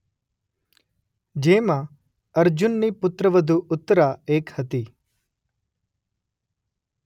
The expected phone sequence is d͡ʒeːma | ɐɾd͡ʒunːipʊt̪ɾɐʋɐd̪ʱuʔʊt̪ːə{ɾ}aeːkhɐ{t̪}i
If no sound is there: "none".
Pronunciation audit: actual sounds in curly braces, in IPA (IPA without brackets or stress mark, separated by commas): ɾ, t̪